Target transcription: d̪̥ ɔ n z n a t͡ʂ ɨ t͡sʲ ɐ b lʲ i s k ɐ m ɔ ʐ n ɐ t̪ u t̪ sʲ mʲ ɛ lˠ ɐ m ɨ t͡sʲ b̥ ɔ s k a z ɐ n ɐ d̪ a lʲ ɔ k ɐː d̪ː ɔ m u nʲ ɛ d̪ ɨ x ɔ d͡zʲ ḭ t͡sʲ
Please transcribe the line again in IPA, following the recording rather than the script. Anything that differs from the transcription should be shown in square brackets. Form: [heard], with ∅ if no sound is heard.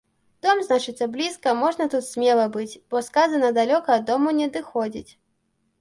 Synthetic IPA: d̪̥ ɔ [m] z n a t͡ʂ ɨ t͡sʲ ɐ b lʲ i s k ɐ m ɔ ʐ n ɐ t̪ u t̪ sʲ mʲ ɛ lˠ ɐ [b] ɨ t͡sʲ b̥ ɔ s k a z ɐ n ɐ d̪ a lʲ ɔ k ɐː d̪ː ɔ m u nʲ ɛ d̪ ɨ x ɔ d͡zʲ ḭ t͡sʲ